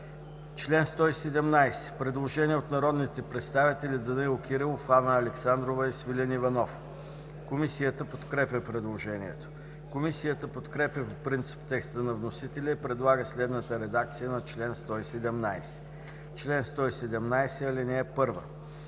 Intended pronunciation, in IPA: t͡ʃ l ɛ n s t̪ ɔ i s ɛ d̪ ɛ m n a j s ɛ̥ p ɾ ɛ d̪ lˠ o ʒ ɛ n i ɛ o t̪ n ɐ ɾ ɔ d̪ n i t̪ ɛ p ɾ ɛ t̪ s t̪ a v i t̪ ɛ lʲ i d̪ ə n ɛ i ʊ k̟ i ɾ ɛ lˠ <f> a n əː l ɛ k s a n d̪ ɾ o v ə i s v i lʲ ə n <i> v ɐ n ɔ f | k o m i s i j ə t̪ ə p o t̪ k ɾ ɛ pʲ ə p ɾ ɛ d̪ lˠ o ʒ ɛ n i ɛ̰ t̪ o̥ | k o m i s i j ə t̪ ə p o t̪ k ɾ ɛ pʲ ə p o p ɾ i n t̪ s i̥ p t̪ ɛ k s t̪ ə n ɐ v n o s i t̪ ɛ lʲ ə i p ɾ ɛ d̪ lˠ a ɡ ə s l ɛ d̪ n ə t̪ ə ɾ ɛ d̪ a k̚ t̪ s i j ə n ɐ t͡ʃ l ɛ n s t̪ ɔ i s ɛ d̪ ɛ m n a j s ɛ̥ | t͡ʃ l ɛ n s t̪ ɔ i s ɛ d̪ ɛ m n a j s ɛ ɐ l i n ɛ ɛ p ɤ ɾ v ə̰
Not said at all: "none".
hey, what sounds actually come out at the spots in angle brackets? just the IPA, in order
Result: f, i

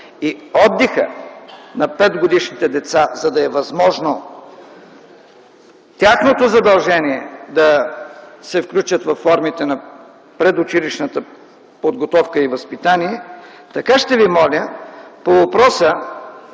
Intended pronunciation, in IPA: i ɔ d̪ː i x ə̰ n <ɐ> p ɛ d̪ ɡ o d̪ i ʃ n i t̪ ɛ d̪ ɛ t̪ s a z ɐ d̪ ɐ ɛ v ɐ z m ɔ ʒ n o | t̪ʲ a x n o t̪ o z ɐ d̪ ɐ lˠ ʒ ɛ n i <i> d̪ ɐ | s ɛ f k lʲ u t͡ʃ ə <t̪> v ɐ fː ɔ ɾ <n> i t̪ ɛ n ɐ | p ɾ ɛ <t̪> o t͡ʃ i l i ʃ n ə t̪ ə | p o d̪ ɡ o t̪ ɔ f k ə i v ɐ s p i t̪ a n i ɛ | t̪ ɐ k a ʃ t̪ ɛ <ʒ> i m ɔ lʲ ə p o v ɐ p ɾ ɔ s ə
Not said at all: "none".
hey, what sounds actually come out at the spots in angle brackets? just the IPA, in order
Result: ɐ, ɛ, t̪, m, d̪, v

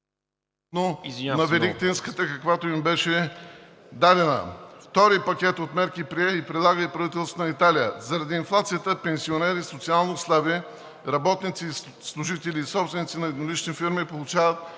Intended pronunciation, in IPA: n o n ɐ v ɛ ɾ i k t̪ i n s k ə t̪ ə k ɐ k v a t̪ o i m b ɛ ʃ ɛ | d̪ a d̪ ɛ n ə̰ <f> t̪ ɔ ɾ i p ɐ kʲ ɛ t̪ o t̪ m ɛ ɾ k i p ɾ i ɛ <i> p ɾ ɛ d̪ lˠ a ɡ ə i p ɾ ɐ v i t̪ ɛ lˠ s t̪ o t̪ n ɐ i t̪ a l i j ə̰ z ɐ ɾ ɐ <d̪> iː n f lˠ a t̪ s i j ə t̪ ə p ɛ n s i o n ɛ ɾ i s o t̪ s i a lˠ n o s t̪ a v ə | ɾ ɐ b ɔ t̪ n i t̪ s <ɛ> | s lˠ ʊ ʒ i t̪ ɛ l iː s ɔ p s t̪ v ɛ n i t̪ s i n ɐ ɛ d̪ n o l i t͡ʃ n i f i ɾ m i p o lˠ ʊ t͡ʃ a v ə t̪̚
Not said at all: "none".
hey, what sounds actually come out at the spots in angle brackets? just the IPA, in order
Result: f, i, d̪, i

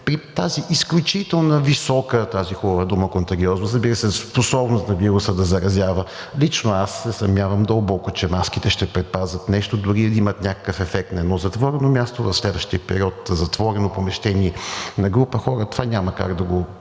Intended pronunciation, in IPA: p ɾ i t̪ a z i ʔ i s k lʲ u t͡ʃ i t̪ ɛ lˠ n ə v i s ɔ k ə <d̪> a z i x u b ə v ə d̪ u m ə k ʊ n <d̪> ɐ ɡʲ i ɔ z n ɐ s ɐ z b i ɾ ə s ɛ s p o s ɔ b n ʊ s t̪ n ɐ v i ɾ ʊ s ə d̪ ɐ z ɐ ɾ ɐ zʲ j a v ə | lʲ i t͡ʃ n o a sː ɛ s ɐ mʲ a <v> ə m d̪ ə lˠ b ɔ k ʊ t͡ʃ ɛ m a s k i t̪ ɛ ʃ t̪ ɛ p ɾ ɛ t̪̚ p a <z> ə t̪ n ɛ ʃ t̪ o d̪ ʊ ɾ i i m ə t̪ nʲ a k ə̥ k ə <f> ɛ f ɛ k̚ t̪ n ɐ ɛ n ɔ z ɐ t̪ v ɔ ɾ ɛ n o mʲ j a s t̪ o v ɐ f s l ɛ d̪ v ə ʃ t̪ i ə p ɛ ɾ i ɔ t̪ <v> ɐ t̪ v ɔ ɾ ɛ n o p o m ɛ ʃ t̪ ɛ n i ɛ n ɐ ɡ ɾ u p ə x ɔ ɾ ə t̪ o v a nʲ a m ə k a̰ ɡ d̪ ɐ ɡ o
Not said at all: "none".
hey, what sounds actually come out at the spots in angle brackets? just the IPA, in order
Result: t̪, t̪, v, z, f, z

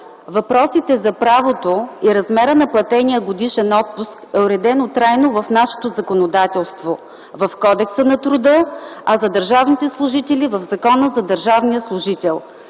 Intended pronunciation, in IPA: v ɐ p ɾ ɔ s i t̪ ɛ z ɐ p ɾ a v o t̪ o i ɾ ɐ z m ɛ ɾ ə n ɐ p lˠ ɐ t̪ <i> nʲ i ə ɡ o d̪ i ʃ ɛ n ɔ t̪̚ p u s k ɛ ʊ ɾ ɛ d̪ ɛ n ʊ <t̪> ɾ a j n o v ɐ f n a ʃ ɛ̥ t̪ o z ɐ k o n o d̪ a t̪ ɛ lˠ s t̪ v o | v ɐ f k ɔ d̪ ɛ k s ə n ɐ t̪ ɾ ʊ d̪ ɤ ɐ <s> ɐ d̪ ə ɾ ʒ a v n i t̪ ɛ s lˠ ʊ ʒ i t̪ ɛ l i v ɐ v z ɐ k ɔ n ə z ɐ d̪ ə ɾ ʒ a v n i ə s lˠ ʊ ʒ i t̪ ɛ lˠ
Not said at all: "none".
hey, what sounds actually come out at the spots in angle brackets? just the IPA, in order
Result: ɛ, t̪, z

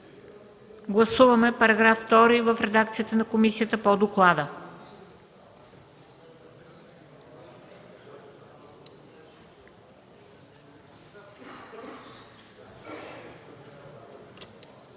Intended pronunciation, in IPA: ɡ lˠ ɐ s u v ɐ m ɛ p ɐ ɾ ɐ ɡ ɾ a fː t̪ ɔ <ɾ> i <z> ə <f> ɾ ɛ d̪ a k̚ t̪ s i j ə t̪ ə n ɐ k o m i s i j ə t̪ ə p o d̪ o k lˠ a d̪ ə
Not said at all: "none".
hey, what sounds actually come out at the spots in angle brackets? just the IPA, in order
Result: ɾ, v, f

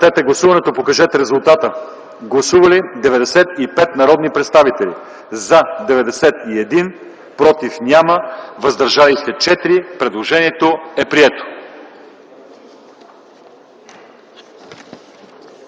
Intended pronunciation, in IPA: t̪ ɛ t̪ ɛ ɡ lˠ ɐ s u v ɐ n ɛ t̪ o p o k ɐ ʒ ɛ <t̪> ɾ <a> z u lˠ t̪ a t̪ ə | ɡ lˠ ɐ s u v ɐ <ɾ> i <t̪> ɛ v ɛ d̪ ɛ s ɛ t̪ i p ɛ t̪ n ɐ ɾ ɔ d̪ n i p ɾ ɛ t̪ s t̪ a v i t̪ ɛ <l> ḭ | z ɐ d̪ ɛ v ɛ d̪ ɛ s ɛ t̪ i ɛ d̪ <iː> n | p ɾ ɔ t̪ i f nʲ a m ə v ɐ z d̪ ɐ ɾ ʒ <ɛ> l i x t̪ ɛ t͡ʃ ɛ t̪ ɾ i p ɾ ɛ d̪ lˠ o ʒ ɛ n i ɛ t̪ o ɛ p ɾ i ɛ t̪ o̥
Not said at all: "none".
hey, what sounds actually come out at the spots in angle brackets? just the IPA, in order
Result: t̪, ɛ, l, d̪, l, i, a

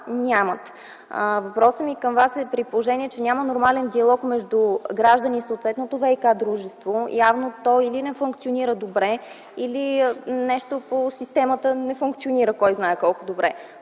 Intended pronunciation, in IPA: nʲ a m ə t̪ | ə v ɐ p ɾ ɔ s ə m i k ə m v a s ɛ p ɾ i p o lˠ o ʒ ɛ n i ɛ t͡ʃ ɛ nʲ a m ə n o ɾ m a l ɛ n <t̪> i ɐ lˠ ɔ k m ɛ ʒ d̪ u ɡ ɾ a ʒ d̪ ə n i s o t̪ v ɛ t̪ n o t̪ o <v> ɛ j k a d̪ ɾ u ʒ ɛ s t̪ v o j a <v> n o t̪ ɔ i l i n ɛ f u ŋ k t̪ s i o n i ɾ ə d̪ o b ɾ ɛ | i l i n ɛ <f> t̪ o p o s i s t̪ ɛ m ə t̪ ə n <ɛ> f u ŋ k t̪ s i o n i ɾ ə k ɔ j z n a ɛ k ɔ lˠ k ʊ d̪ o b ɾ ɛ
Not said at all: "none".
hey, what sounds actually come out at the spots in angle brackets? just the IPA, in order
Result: d̪, v, v, ʃ, ɛ

